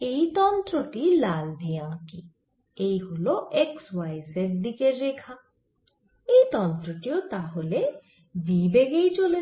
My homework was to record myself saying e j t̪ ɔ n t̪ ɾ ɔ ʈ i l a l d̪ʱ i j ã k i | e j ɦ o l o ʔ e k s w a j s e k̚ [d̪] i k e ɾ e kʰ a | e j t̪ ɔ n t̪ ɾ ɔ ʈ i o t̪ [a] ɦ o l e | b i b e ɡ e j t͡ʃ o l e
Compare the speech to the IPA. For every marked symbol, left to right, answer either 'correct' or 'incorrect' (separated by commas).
correct, correct